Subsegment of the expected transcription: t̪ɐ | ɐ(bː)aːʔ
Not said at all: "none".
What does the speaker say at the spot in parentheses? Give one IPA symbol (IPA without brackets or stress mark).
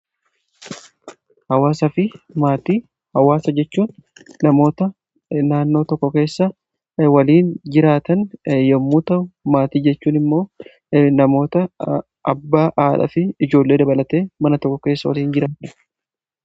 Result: bː